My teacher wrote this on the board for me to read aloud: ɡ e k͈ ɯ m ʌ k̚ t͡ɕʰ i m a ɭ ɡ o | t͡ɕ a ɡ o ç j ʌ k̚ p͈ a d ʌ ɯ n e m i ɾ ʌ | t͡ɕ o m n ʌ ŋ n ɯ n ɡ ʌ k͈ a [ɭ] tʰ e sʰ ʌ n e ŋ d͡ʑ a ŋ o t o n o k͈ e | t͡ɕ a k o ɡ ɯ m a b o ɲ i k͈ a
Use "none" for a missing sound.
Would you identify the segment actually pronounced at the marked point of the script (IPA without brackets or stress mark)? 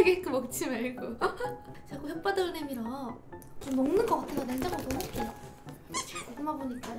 none